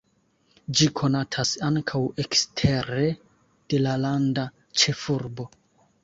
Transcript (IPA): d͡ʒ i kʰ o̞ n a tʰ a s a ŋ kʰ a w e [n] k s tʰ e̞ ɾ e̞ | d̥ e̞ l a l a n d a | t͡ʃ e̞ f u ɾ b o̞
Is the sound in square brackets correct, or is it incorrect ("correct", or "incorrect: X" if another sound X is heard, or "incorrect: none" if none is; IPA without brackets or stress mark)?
incorrect: none